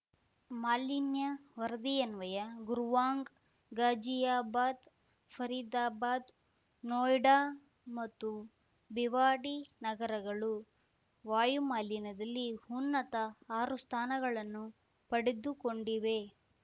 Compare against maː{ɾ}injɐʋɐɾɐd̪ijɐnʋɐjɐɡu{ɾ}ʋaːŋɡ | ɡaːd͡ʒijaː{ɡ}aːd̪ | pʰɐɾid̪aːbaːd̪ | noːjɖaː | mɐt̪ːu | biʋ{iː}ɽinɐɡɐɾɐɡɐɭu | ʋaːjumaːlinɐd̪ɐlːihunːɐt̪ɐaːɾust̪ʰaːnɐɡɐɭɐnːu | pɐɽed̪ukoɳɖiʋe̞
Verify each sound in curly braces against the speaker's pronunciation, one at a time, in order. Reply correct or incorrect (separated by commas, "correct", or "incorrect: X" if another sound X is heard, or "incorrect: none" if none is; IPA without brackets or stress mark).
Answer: incorrect: l, correct, incorrect: b, incorrect: aː